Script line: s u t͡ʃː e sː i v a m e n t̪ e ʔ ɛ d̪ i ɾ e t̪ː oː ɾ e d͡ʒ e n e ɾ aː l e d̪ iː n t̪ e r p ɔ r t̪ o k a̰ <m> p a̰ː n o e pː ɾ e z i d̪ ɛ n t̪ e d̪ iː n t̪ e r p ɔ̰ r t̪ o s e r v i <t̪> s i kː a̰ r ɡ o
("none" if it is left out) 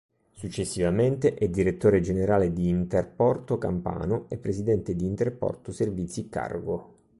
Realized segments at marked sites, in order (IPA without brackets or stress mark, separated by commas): m, t̪